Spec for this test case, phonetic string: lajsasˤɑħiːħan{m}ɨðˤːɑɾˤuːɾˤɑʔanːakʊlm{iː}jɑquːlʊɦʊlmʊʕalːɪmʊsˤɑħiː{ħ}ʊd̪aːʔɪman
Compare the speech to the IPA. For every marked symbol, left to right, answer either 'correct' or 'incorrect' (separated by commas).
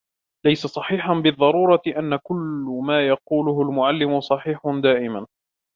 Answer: incorrect, incorrect, correct